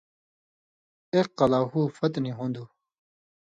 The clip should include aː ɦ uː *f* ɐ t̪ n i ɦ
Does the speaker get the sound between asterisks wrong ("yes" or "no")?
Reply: no